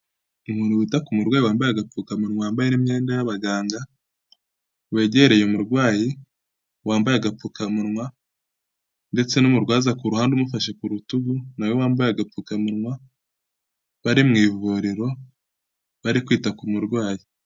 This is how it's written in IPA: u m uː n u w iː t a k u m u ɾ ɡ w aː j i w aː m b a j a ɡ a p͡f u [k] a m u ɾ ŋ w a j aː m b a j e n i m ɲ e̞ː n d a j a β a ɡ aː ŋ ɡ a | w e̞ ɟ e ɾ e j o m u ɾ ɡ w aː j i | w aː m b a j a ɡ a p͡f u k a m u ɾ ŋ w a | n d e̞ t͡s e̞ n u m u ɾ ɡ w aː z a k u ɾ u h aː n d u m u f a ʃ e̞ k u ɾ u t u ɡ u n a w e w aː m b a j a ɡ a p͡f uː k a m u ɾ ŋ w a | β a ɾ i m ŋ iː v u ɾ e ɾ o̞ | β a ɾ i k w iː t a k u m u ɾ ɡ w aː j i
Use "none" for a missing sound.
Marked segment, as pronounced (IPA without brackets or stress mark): k